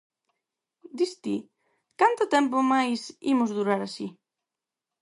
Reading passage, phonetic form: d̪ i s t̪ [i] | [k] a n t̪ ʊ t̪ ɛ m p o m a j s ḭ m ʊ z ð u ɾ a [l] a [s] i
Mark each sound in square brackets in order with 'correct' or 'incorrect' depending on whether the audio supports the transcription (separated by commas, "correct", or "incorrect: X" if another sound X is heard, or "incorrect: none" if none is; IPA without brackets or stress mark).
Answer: correct, correct, incorrect: ɾ, correct